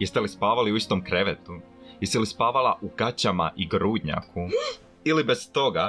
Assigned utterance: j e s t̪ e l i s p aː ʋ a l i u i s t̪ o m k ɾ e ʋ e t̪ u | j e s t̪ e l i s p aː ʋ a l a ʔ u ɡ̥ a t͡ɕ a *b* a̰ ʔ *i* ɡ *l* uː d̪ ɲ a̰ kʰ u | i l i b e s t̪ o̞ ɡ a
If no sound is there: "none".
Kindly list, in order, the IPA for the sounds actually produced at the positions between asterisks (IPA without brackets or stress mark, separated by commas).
m, i, ɾ